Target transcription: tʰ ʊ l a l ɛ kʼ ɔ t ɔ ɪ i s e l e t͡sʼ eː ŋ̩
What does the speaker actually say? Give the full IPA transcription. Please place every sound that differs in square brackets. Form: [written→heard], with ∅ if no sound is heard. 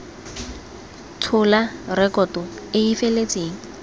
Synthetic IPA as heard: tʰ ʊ l a [l→r] ɛ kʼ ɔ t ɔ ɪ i [s→f] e l e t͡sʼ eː ŋ̩